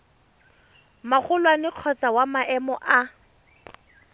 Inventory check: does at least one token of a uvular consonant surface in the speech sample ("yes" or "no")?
yes